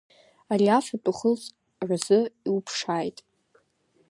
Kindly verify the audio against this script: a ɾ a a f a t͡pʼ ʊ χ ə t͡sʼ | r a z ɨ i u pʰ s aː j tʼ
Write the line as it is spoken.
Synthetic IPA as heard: a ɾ i a f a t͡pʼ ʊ χ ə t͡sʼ | r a z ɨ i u pʰ ʂ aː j tʼ